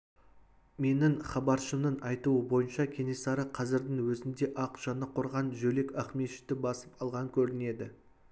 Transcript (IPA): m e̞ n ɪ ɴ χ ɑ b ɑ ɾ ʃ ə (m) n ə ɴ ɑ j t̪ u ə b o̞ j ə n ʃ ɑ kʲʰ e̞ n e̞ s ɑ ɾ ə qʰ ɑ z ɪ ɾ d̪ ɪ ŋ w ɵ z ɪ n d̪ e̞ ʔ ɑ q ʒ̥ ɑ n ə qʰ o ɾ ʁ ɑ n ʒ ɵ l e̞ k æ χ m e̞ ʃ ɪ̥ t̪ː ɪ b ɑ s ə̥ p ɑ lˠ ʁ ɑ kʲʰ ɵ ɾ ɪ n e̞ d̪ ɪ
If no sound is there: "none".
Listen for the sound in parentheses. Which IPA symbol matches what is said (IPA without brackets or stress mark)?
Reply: m